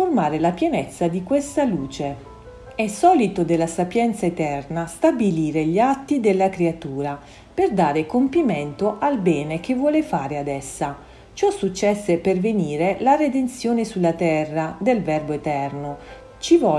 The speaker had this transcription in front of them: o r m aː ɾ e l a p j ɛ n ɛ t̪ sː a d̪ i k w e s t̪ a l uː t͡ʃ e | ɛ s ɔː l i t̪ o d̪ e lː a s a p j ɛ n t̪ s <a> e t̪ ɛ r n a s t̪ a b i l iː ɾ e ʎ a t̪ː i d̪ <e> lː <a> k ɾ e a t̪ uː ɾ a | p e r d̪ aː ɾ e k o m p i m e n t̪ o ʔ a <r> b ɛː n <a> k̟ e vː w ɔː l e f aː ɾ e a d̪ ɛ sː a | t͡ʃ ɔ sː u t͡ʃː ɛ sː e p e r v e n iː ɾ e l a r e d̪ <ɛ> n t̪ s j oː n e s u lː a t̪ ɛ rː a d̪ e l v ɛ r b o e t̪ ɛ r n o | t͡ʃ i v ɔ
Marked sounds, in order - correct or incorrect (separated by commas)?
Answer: correct, correct, correct, incorrect, incorrect, incorrect